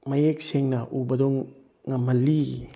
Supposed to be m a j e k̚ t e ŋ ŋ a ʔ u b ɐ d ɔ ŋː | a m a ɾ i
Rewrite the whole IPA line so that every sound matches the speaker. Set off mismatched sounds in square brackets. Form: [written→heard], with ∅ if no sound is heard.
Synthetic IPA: m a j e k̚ [t→s] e ŋ [ŋ→n] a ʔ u b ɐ d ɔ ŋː | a m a [ɾ→l] i